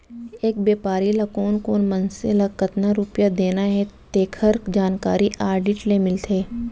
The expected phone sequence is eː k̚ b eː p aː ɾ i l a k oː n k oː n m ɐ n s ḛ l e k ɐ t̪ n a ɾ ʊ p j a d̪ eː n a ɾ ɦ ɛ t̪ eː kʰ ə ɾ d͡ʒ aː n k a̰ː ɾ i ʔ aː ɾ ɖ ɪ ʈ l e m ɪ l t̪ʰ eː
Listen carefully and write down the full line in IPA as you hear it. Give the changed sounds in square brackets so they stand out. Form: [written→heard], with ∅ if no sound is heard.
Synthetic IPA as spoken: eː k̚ b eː p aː ɾ i l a k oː n k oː n m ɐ n s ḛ l [e→a] k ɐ t̪ n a ɾ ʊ p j a d̪ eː n a [ɾ→∅] ɦ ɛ t̪ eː kʰ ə ɾ d͡ʒ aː n k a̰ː ɾ i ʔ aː ɾ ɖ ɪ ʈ l e m ɪ l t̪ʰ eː